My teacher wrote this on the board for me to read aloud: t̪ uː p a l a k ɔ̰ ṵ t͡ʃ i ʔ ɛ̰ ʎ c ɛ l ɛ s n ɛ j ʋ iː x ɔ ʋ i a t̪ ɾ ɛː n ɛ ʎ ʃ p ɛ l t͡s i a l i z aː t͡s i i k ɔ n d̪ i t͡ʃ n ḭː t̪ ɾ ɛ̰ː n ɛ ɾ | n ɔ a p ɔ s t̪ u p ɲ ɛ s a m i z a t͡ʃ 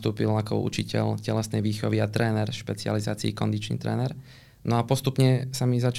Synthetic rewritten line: t̪ uː p i l a k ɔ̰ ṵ t͡ʃ i c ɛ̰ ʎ c ɛ l ɛ s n ɛ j ʋ iː x ɔ ʋ i a t̪ ɾ ɛː n ɛ ɾ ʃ p ɛ t͡s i a l i z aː t͡s i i k ɔ n d̪ i t͡ʃ n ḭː t̪ ɾ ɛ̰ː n ɛ ɾ | n ɔ a p ɔ s t̪ u p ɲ ɛ s a m i z a t͡ʃ